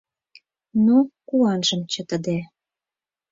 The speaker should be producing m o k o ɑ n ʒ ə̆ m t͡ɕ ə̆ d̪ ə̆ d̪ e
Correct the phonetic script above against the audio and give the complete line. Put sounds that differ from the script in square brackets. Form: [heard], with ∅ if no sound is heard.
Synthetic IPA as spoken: [n] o k [u] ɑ n ʒ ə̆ m t͡ɕ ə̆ [t̪] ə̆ d̪ e